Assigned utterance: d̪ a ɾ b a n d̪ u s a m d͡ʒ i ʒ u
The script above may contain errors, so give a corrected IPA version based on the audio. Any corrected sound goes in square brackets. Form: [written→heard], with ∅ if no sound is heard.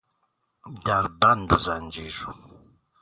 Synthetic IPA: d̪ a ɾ b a n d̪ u [s→z] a [m→n] d͡ʒ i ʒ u